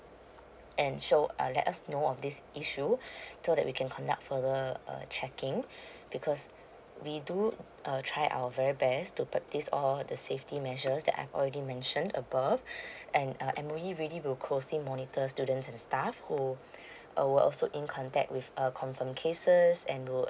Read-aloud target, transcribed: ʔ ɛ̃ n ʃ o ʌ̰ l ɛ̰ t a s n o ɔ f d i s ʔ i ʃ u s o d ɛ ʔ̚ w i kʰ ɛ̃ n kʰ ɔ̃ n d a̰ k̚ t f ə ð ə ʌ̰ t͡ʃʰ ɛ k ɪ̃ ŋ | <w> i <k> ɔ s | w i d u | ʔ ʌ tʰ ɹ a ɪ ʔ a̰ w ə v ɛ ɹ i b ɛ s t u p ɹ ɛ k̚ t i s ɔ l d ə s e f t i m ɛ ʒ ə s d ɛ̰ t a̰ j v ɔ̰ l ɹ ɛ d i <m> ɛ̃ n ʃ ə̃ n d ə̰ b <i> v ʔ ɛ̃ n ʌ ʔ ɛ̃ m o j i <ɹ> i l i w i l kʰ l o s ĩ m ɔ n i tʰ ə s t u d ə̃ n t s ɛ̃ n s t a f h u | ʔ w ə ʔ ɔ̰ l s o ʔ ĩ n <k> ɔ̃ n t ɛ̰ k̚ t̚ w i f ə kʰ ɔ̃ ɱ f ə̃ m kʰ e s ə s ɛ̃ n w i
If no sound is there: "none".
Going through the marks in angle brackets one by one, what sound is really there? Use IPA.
b, kʰ, m, a, ɹ, kʰ

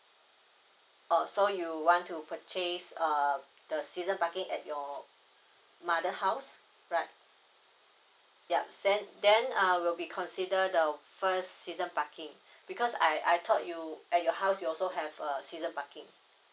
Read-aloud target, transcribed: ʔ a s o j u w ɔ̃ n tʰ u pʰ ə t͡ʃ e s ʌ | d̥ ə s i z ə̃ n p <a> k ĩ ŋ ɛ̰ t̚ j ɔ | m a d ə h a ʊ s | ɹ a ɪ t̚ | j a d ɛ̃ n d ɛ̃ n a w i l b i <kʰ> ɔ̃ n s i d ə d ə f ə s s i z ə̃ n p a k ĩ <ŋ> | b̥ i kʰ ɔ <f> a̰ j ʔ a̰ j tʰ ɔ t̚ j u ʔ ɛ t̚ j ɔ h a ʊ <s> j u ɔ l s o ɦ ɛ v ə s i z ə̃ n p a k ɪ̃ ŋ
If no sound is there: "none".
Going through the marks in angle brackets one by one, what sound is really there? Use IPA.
a, kʰ, ŋ, s, s

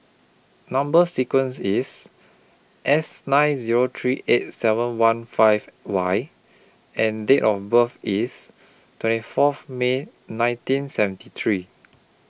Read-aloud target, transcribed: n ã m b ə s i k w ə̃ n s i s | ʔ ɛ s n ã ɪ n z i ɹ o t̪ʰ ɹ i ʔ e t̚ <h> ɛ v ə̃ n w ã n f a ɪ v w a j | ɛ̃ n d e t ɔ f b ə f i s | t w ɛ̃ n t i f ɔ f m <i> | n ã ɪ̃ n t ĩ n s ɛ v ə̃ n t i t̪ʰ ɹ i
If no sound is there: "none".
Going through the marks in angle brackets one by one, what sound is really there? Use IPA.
s, e

